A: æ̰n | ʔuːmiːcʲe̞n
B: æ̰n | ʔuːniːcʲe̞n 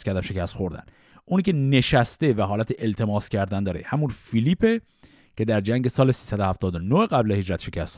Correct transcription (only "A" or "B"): B